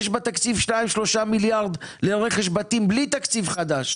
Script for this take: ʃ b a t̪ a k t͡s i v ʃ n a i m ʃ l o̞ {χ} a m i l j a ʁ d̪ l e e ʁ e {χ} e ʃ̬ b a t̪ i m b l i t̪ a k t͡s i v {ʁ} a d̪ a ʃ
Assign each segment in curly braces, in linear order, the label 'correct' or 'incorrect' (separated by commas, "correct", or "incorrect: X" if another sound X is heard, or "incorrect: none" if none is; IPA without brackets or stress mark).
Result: incorrect: ʃ, correct, incorrect: χ